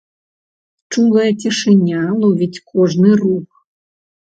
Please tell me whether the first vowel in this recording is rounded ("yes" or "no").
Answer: yes